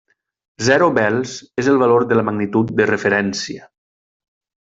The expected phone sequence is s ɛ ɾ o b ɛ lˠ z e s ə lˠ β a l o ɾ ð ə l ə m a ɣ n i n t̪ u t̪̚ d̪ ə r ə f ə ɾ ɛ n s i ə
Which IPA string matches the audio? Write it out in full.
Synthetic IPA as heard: z ɛ ɾ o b ɛ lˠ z e z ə lˠ β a l o ɾ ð ə l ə m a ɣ n i t̪ u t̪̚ d̪ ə r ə f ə ɾ ɛ n s i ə

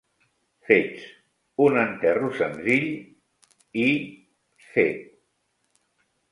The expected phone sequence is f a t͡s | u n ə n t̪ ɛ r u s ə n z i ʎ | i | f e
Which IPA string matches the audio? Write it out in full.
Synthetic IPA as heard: f e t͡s | u n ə n t̪ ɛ r u s ə n z i ʎ | i | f e

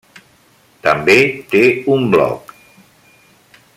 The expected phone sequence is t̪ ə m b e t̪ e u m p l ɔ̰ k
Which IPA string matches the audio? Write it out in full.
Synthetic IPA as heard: t̪ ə m b e t̪ e u m b l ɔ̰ k

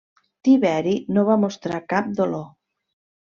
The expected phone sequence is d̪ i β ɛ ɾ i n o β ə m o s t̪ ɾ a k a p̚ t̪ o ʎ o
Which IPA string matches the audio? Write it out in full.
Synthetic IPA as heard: t̪ i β ɛ ɾ i n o β a m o s t̪ ɾ a k a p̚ d̪ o l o

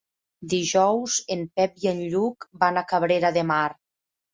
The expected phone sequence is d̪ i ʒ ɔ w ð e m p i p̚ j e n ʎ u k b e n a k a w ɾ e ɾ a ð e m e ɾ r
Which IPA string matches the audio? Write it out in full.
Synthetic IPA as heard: d̪ i ʒ ɔ w z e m p ɛ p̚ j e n ʎ u k b a n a k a β ɾ e ɾ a ð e m a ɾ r

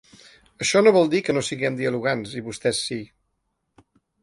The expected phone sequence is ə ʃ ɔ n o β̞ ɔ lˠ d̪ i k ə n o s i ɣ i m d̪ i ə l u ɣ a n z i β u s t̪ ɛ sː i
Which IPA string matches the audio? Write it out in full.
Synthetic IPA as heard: ə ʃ ɔ n o β̞ ɔ lˠ d̪ i k ə n o s i ɣ ɛ m d̪ i ə l u ɣ a n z i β u s t̪ ɛ sː i

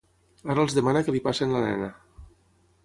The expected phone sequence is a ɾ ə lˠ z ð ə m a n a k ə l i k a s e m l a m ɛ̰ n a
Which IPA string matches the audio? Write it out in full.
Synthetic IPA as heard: a ɾ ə lˠ z ð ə m a n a k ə l i p a s e n l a n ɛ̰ n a

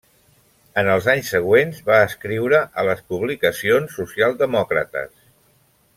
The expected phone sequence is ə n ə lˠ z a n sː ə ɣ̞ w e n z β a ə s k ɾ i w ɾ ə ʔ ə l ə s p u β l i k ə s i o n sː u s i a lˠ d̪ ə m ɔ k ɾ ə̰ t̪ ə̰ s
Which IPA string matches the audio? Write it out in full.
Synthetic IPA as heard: ə n ə lˠ z a ɲ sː ə ɣ̞ w e n z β a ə s k ɾ i w ɾ ə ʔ ə l ə s p u β l i k ə s i o n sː u s i a lˠ d̪ ə m ɔ k ɾ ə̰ t̪ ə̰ s

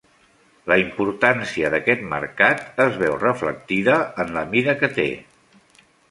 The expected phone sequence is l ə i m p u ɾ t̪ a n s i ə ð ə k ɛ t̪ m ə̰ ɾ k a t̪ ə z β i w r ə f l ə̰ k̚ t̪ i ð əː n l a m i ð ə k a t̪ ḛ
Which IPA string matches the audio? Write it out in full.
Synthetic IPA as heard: l ə i m p u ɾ t̪ a n s i ə ð ə k ɛ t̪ m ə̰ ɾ k a t̪ ə z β ɛ w r ə f l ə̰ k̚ t̪ i ð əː n l ə m i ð ə k ə t̪ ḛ

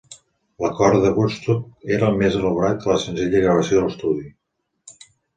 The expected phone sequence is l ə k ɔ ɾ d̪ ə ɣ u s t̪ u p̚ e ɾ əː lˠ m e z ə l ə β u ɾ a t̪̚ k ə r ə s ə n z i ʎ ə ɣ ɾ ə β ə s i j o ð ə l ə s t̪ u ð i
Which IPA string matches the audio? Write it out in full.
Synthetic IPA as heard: l ə k ɔ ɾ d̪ ə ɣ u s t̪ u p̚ e ɾ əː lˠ m e z ə l ə β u ɾ a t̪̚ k ə l ə s ə n z i ʎ ə ɣ ɾ ə β ə s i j o ð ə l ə s t̪ u ð i

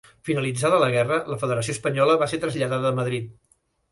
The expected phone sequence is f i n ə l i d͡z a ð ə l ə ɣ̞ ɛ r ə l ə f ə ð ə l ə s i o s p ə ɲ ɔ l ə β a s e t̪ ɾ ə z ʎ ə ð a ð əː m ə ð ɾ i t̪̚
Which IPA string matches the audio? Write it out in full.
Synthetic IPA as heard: f i n ə l i d͡z a ð ə l ə ɣ̞ ɛ r ə l ə f ə ð ə ɾ ə s i o s p ə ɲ ɔ l ə β a s e t̪ ɾ ə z ʎ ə ð a ð əː m ə ð ɾ i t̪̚

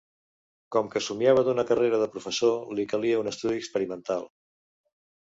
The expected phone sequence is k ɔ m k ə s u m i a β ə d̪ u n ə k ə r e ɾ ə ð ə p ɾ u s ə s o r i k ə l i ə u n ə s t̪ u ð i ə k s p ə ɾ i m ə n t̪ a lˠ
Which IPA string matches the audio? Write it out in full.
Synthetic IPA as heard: k ɔ m k ə s u m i a β ə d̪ u n ə k ə r e ɾ ə ð ə p ɾ u f ə s o l i k ə l i ə u n ə s t̪ u ð i ə k s p ə ɾ i m ə n t̪ a lˠ

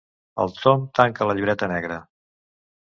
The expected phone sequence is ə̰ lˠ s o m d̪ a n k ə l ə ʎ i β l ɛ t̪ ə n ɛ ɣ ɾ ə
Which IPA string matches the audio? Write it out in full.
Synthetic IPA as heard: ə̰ lˠ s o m t̪ a ŋ k ə l ə ʎ i β ɾ ɛ t̪ ə n ɛ ɣ ɾ ə

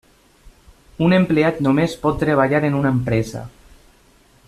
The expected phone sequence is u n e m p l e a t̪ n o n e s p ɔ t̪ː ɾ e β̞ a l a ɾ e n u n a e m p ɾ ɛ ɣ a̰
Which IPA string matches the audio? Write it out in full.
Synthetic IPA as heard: u n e m p l e a t̪ n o m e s p ɔ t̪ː ɾ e β̞ a ʎ a ɾ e n u n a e m p ɾ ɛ z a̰

